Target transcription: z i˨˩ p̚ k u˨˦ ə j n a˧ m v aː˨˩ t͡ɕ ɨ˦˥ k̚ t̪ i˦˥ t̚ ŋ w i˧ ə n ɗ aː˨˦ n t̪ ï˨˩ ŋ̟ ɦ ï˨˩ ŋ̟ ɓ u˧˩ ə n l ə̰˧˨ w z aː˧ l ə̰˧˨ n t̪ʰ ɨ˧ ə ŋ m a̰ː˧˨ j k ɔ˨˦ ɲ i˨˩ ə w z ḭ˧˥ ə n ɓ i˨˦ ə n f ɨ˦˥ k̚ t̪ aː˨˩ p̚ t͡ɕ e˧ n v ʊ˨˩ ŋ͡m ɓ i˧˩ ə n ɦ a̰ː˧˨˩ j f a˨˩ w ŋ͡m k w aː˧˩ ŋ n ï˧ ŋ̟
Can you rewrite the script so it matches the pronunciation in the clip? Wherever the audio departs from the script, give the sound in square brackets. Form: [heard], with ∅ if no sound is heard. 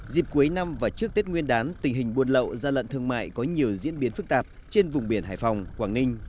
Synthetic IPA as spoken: z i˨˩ p̚ k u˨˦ ə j n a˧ m v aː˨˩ t͡ɕ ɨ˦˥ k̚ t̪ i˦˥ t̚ ŋ w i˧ ə n ɗ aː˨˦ n t̪ ï˨˩ ŋ̟ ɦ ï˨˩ ŋ̟ ɓ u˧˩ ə n l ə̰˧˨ w z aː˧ l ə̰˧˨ n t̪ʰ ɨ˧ ə ŋ m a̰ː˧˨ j k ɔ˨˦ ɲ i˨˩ ə w z ḭ˧˥ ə n ɓ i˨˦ ə n f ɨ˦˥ k̚ t̪ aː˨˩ p̚ t͡ɕ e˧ n v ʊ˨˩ ŋ͡m ɓ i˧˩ ə n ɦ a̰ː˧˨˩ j f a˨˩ w ŋ͡m k w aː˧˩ ŋ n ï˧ ŋ̟